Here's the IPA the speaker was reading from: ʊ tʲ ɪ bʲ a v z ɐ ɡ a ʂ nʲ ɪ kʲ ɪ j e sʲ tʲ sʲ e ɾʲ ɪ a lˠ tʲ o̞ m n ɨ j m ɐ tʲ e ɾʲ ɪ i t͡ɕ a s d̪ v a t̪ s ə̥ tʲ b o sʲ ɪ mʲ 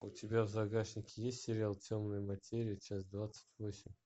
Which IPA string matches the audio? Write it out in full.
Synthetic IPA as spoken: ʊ tʲ ɪ bʲ a v z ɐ ɡ a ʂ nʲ ɪ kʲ ɪ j e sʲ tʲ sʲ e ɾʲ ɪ a lˠ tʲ o̞ m n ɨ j m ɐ tʲ e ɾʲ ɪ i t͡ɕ a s d̪ v a t̪ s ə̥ tʲ v o sʲ ɪ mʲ

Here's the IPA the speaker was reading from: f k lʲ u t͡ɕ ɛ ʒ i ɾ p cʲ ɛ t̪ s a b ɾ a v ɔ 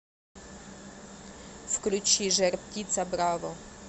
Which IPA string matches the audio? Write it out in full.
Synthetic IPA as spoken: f k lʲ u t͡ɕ i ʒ ɛ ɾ p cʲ i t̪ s a b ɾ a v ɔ

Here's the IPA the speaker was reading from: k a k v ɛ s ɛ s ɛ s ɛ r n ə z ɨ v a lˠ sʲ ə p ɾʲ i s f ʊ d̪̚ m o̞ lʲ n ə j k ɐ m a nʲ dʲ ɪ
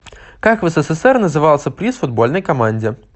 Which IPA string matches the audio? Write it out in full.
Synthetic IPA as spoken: k a k v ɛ s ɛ s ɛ s ɛ r n ə z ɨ v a lˠ sʲ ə p ɾʲ i s f ʊ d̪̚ b o̞ lʲ n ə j k ɐ m a nʲ dʲ ɪ

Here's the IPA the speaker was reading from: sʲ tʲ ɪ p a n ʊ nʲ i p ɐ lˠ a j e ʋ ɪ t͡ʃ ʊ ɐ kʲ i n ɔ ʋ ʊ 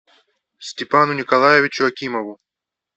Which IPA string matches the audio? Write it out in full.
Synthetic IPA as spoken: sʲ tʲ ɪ p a n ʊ nʲ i k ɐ lˠ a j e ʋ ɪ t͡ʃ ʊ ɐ kʲ i m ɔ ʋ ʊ

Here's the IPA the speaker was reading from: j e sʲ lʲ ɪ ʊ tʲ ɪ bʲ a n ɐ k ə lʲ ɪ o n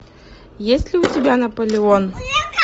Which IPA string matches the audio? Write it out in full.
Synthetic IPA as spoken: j e sʲ lʲ ɪ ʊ tʲ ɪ bʲ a n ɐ p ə lʲ ɪ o n

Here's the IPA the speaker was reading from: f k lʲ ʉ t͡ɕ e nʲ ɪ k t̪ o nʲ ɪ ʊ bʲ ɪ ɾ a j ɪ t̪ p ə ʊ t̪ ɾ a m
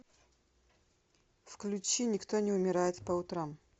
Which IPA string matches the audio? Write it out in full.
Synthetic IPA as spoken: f k lʲ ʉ t͡ɕ i nʲ ɪ k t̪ o nʲ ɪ ʊ mʲ ɪ ɾ a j ɪ t̪ p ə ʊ t̪ ɾ a m

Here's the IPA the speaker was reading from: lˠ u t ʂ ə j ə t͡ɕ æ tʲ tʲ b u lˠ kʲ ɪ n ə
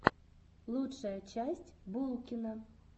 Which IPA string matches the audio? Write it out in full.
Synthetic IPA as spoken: lˠ u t ʂ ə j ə t͡ɕ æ sʲ tʲ b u lˠ kʲ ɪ n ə

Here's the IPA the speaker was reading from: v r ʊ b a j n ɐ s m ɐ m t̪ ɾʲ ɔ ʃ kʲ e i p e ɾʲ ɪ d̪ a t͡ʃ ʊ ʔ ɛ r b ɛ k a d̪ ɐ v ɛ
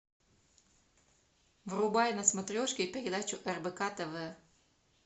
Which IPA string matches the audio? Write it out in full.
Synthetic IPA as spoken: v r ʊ b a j n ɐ s m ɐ t̪ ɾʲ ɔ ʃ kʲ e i p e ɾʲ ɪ d̪ a t͡ʃ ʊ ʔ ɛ r b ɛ k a t̪ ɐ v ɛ

